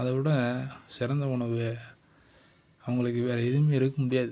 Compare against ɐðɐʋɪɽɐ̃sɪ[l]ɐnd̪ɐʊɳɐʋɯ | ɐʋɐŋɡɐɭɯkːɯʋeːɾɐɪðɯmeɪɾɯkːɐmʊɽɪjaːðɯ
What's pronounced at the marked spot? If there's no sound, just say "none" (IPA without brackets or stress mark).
ɾ